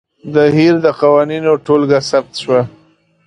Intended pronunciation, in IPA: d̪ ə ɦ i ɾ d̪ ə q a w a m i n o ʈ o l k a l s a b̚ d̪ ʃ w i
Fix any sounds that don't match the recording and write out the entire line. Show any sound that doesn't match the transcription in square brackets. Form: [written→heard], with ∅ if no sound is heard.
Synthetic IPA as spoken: d̪ ə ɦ i ɾ d̪ ə q a w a [m→n] i n o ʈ o l [k→ɡ] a [l→∅] s a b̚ [d̪→t̪] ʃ w [i→a]

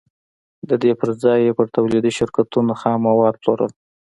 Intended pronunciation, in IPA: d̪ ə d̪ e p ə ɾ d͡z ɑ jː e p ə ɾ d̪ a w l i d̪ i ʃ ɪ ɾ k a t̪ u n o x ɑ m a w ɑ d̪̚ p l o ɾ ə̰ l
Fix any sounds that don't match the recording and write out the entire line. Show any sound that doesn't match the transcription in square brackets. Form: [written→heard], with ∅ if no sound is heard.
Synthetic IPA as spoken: d̪ ə d̪ e p ə ɾ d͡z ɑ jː e p ə ɾ [d̪→t̪] a w l i d̪ i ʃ ɪ ɾ k a t̪ u n o x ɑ m a w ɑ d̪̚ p l o ɾ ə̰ l

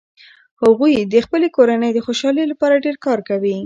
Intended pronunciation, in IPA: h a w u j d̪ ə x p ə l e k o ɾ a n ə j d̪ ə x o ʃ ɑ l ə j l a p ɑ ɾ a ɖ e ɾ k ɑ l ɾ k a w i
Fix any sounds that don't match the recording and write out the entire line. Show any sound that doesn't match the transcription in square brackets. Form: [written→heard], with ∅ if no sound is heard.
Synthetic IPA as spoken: h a [w→ɣ] u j d̪ ə x p ə l e k o ɾ a n ə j d̪ ə x o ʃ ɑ l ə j l a p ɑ ɾ a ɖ e ɾ k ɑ [l→∅] ɾ k a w i

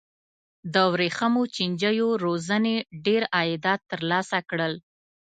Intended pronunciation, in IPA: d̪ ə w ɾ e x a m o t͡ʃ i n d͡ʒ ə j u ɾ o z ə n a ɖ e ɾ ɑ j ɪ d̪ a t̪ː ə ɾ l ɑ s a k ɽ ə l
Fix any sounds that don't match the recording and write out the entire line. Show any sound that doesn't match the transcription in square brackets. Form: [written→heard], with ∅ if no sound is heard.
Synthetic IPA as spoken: d̪ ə w ɾ e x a m o t͡ʃ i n d͡ʒ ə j [u→o] ɾ o z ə n [a→e] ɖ e ɾ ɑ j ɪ d̪ [a→ɑ] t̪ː ə ɾ l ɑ s a k ɽ ə l

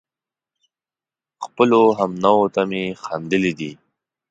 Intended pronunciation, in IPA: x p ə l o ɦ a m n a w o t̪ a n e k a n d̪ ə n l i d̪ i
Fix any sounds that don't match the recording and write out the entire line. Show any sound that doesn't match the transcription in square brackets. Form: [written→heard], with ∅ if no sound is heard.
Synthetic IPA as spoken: x p ə l o ɦ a m n a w o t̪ a [n→m] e [k→x] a n d̪ ə [n→∅] l i d̪ i

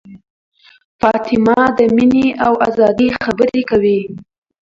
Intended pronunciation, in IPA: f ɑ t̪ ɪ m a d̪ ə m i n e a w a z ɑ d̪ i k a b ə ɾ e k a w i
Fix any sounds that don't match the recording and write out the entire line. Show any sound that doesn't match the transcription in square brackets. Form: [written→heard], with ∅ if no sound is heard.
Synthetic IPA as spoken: f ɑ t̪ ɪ m [a→ɑ] d̪ ə m i n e a w a z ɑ d̪ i [k→x] a b ə ɾ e k a w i

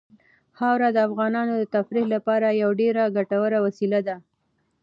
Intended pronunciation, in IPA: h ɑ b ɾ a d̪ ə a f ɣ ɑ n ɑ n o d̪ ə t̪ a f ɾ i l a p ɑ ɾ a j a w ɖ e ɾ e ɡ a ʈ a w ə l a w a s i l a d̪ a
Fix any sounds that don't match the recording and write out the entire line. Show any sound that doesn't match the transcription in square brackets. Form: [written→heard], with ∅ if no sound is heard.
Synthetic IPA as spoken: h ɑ [b→w] ɾ a d̪ ə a f ɣ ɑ n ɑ n o d̪ ə t̪ a f ɾ i l a p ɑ ɾ a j a w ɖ e ɾ [e→a] ɡ a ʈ a w ə [l→ɾ] a w a s i l a d̪ a

